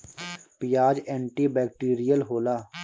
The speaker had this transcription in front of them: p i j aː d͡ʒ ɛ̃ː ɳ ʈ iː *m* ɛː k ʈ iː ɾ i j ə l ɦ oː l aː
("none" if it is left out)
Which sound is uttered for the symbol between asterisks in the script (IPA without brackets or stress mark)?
b